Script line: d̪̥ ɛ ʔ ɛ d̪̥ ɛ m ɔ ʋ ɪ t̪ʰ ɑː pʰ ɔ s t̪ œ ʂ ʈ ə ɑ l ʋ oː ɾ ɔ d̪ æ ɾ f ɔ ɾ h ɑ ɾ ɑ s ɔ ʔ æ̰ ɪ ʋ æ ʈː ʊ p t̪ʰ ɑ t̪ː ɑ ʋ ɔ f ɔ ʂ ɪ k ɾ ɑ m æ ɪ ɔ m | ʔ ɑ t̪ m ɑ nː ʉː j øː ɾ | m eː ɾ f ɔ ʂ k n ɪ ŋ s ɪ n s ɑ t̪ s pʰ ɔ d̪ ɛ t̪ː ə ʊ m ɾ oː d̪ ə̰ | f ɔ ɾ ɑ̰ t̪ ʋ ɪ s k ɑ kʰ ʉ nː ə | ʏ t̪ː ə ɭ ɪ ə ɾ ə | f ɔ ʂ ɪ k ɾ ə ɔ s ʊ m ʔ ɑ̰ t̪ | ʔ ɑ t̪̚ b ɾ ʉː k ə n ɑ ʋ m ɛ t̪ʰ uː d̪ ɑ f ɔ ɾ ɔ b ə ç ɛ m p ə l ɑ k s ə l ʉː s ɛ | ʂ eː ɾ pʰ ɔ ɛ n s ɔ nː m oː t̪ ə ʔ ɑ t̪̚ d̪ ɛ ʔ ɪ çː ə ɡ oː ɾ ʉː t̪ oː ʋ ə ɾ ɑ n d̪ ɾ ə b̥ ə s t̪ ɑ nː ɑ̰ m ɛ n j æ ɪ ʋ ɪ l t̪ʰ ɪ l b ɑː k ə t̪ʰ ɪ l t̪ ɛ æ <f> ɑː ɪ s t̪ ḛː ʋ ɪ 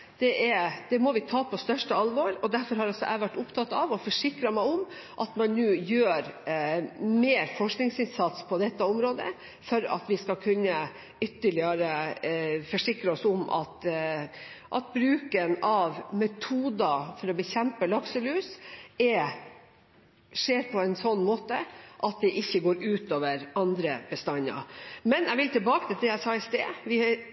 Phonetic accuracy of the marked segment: incorrect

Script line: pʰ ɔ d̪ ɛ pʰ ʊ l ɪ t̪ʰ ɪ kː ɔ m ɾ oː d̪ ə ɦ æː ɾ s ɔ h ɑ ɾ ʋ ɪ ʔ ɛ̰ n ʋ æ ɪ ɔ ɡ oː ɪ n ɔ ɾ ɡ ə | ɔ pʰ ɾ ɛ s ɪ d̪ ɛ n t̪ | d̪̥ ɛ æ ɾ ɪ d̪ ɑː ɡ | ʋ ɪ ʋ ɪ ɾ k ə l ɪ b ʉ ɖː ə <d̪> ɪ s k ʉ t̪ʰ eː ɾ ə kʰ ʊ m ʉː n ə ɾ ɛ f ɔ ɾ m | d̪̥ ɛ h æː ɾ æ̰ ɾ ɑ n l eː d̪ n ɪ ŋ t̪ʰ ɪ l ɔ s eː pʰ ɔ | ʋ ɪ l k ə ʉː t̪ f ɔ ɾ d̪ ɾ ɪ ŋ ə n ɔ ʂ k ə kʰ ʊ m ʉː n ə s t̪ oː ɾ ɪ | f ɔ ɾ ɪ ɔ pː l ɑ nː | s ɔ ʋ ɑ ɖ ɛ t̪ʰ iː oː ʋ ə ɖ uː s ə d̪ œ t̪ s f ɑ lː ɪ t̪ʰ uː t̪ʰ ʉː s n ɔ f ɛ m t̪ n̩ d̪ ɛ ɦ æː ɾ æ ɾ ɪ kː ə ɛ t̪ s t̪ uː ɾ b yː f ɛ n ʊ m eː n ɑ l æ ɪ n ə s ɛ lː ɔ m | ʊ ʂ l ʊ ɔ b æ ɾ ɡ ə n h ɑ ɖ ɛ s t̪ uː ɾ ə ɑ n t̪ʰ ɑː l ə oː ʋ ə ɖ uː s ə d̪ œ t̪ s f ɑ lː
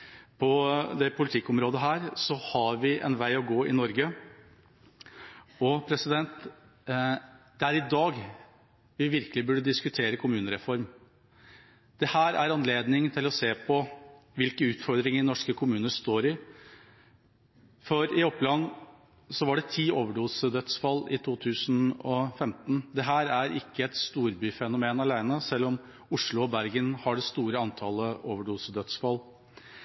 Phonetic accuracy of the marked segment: correct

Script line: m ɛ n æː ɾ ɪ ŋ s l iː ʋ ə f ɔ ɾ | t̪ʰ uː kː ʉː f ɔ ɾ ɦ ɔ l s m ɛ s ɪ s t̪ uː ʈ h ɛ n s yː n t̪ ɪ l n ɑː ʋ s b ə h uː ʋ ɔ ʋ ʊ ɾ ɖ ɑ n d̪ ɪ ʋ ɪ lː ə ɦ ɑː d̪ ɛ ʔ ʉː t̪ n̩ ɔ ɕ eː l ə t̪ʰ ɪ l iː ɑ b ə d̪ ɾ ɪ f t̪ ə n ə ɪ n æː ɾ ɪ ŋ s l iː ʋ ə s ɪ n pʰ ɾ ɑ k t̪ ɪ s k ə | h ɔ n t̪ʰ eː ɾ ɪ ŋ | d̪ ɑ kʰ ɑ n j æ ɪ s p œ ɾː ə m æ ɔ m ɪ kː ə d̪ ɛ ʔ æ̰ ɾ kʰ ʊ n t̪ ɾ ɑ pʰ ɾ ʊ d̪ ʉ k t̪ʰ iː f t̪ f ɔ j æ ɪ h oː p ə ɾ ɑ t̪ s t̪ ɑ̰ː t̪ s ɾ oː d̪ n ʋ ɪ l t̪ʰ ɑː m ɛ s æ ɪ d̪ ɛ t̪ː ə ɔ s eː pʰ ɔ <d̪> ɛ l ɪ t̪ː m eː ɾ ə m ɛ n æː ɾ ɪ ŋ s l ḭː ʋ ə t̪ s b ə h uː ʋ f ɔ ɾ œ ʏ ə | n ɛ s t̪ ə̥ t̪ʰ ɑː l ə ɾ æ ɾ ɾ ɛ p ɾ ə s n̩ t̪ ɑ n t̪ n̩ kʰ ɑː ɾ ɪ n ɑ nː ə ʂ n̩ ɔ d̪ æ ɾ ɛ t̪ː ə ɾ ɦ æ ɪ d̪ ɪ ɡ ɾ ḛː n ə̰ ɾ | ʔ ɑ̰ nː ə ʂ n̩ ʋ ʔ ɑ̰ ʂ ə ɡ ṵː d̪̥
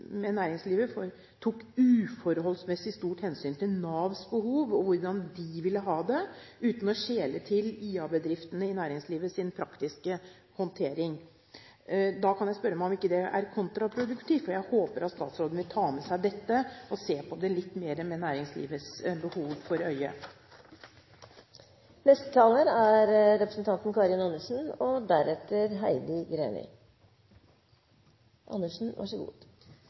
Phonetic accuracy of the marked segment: correct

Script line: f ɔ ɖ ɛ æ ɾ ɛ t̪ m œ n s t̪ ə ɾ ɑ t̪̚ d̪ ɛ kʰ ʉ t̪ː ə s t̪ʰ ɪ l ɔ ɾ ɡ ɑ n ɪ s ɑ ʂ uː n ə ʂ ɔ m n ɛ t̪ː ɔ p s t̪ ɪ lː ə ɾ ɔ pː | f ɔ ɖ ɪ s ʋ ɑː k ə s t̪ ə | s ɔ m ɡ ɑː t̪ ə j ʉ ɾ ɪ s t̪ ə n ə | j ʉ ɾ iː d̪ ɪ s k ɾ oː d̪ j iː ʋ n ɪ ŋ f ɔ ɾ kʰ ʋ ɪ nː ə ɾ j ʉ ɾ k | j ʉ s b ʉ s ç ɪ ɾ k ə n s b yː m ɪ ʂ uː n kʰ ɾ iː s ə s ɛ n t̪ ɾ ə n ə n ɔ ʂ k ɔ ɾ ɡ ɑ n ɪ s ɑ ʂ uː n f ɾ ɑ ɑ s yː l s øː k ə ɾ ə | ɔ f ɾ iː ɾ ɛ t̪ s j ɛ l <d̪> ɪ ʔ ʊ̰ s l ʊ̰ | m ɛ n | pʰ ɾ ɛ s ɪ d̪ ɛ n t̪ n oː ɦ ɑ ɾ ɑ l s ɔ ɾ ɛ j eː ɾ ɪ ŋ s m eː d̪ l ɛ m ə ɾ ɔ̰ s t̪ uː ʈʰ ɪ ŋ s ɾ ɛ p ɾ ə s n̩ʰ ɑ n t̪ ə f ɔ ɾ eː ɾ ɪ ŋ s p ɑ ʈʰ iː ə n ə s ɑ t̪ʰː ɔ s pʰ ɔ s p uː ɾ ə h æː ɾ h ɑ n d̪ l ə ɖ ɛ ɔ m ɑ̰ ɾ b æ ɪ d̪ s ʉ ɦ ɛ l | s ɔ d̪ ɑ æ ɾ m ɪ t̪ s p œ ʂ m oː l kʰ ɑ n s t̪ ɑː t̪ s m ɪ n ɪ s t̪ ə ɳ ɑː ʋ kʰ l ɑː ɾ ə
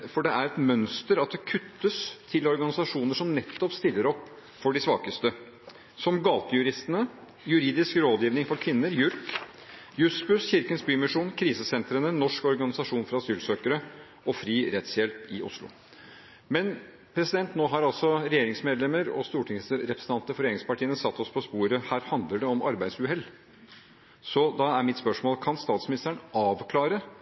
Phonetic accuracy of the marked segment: incorrect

